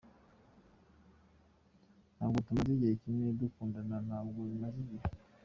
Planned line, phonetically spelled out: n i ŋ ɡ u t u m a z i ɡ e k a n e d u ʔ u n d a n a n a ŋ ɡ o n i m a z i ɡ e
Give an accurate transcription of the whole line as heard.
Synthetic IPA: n a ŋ ɡ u t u m a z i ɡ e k i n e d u k u n d a n a n a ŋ ɡ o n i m a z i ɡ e